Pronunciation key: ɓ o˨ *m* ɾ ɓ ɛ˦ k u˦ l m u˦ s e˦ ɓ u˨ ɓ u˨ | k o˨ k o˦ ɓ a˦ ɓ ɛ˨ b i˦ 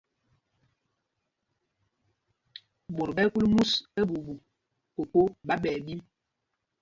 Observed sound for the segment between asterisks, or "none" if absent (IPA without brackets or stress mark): none